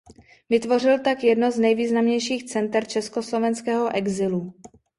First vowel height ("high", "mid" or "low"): high